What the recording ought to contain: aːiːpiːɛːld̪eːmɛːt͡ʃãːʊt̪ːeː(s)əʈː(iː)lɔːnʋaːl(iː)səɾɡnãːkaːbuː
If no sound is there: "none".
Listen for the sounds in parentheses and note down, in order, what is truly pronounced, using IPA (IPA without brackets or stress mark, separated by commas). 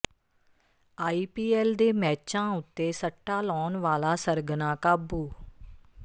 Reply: s, aː, aː